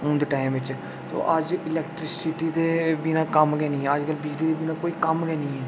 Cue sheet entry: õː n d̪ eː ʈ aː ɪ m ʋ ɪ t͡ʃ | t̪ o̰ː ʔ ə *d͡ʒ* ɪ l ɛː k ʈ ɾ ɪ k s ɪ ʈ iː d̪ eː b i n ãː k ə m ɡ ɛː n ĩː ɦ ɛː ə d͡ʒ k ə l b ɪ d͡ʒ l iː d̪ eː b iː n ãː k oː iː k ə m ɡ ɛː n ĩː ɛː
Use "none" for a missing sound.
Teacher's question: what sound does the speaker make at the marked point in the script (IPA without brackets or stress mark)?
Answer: d͡ʒ